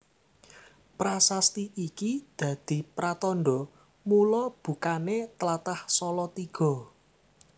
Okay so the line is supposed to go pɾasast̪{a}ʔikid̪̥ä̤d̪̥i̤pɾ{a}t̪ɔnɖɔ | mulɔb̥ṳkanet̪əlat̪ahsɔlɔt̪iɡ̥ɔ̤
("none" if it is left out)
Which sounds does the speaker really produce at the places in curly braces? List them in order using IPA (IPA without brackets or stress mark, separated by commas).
i, a